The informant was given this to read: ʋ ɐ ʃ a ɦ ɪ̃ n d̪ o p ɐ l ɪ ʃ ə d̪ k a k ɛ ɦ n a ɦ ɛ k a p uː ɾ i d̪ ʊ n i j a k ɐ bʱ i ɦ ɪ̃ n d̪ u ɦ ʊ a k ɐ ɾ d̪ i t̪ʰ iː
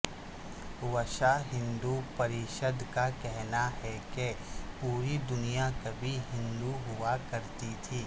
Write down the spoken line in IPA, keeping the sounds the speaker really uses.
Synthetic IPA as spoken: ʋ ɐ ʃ a ɦ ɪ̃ n d̪ u p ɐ ɾ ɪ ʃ ə d̪ k a k ɛ ɦ n a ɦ ɛ k e p uː ɾ i d̪ ʊ n i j a k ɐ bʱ i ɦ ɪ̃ n d̪ u ɦ ʊ a k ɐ ɾ t̪ i t̪ʰ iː

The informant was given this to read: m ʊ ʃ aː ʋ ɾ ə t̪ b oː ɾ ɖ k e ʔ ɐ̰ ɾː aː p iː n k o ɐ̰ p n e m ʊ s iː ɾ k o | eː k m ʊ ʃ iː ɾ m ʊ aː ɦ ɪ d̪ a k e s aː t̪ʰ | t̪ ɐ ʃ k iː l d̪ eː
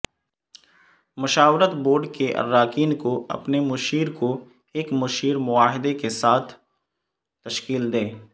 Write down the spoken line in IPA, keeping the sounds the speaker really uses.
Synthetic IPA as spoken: m ʊ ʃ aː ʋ ɾ ə t̪ b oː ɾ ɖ k e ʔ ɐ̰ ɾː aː k iː n k o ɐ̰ p n e m ʊ ʃ iː ɾ k o | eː k m ʊ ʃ iː ɾ m ʊ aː ɦ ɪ d̪ e k e s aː t̪ʰ | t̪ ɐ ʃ k iː l d̪ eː

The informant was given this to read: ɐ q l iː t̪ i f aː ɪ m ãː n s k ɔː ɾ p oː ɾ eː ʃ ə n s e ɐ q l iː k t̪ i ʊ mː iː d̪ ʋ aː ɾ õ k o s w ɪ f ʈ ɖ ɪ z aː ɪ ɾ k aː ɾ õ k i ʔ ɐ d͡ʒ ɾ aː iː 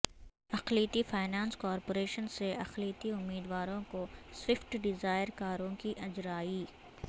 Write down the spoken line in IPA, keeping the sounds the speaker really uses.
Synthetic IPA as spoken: ɐ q l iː t̪ i f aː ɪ n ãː n s k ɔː ɾ p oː ɾ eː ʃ ə n s e ɐ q l iː t̪ i ʊ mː iː d̪ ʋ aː ɾ õ k o s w ɪ f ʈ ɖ ɪ z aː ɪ ɾ k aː ɾ õ k i ʔ ɐ d͡ʒ ɾ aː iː

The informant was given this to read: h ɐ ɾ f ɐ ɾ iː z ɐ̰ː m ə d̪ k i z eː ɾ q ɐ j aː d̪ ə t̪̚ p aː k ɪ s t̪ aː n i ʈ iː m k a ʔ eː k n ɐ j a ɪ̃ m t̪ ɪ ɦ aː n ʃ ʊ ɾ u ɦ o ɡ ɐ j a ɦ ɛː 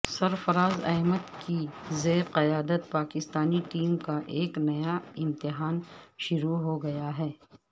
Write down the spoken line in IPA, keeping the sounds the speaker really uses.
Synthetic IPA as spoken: s ɐ ɾ f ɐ ɾ aː z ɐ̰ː m ə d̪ k i z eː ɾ q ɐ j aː d̪ ə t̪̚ p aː k ɪ s t̪ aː n i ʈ iː m k a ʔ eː k n ɐ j a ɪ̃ m t̪ ɪ ɦ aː n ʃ ʊ ɾ u ɦ o ɡ ɐ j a ɦ ɛː

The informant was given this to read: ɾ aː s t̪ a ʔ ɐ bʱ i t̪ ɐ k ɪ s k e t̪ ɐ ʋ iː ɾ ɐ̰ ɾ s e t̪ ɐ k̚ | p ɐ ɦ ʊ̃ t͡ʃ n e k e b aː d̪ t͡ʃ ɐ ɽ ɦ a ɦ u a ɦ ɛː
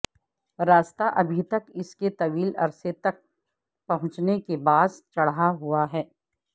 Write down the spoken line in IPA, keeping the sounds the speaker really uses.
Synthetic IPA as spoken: ɾ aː s t̪ a ʔ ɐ bʱ i t̪ ɐ k ɪ s k e t̪ ɐ ʋ iː l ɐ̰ ɾ s e t̪ ɐ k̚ | p ɐ ɦ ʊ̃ t͡ʃ n e k e b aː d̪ t͡ʃ ɐ ɽ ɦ a ɦ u a ɦ ɛː

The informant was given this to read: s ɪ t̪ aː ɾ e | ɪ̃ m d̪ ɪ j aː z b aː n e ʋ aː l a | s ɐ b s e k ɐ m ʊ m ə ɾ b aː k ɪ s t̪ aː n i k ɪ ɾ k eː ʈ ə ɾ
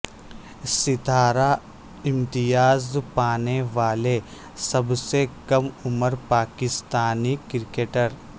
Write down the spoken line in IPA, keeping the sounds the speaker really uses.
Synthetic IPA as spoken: s ɪ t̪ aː ɾ a | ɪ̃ m t̪ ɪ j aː z p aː n e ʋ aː l e | s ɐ b s e k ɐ m ʊ m ə ɾ p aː k ɪ s t̪ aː n i k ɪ ɾ k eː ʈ ə ɾ

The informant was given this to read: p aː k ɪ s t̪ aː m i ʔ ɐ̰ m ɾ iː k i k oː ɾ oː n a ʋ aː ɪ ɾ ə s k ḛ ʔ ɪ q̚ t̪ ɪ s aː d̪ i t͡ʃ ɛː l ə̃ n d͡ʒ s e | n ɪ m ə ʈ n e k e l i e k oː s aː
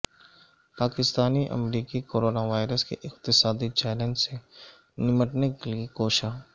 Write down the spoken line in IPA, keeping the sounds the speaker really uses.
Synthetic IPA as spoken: p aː k ɪ s t̪ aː n i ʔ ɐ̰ m ɾ iː k i k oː ɾ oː n a ʋ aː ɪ ɾ ə s k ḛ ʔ ɪ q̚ t̪ ɪ s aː d̪ i t͡ʃ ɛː l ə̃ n d͡ʒ s e | n ɪ m ə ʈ n e k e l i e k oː ʃ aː

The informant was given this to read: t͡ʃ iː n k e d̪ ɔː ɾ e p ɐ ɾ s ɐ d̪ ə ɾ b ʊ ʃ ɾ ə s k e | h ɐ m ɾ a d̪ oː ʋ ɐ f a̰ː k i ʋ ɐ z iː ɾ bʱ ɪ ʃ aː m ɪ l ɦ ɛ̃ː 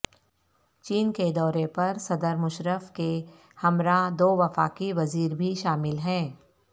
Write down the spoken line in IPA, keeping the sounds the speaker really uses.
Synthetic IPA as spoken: t͡ʃ iː n k e d̪ ɔː ɾ e p ɐ ɾ s ɐ d̪ ə ɾ m ʊ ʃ ɾ ə f k e | h ɐ m ɾ a d̪ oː ʋ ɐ f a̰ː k i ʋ ɐ z iː ɾ bʱ i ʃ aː m ɪ l ɦ ɛ̃ː

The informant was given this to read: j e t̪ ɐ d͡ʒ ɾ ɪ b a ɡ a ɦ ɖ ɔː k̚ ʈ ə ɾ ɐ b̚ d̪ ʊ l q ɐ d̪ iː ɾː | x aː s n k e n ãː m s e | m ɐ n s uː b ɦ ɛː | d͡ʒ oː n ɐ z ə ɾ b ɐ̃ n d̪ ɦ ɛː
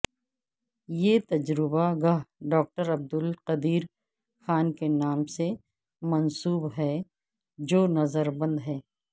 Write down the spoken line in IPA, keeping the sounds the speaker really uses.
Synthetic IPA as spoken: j e t̪ ɐ d͡ʒ ɾ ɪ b a ɡ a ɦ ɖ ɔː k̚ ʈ ə ɾ ɐ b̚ d̪ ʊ l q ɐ d̪ iː ɾ | x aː n k e n aː m s e | m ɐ n s uː b ɦ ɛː | d͡ʒ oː n ɐ z ə ɾ b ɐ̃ n d̪ ɦ ɛː

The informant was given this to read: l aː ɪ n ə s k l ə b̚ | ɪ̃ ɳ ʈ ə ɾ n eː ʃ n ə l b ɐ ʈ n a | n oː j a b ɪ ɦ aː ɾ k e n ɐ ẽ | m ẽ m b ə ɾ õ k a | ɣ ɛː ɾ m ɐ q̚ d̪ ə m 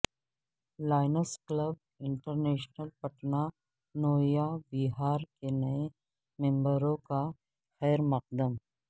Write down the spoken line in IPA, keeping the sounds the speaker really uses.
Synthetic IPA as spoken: l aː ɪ n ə s k l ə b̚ | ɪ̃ ɳ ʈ ə ɾ n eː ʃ n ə l p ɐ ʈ n a | n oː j a b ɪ ɦ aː ɾ k e n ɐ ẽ | m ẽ m b ə ɾ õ k a | x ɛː ɾ m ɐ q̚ d̪ ə m

